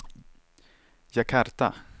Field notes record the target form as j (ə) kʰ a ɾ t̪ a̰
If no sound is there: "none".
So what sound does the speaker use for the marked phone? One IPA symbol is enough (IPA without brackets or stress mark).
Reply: a